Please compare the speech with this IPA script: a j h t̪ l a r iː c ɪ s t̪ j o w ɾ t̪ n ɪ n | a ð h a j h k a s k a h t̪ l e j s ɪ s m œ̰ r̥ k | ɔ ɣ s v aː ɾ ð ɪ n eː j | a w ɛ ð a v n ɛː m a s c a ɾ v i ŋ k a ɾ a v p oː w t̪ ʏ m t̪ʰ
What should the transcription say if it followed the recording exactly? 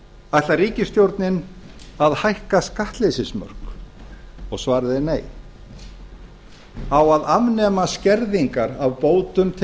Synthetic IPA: a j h t̪ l a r iː c ɪ s t̪ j o w ɾ t̪ n ɪ n | a ð h a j h k a s k a h t̪ l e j s ɪ s m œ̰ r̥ k | ɔ ɣ s v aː ɾ ð ɪ n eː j | a w a ð a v n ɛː m a s c ɛ ɾ ð i ŋ k a ɾ a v p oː w t̪ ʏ m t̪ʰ